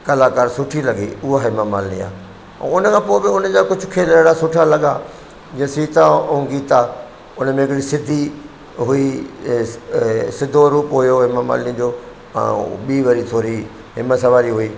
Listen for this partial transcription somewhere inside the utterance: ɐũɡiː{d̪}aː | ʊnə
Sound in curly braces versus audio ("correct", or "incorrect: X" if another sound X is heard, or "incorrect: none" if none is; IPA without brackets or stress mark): incorrect: t̪